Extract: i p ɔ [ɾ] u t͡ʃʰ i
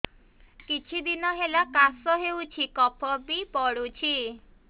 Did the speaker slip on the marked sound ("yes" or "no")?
yes